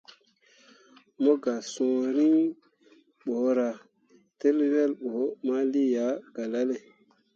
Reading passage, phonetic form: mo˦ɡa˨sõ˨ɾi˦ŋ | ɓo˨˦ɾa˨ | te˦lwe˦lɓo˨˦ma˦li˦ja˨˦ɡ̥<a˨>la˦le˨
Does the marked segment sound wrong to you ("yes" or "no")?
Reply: no